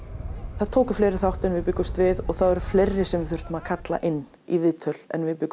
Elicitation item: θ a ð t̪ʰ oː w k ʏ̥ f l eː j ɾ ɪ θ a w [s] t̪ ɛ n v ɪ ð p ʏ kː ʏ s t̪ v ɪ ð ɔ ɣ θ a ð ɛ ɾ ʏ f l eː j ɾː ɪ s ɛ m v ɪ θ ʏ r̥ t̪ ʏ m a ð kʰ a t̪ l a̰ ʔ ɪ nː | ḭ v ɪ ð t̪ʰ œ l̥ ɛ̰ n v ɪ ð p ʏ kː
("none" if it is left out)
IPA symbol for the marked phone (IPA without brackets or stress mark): h